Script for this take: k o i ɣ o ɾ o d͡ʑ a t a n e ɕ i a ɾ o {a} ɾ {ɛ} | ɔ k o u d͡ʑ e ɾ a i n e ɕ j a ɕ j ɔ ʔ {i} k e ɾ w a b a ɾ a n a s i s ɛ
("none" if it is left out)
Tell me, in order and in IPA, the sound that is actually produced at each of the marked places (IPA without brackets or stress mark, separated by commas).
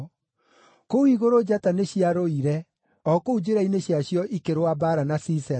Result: i, ɛ, i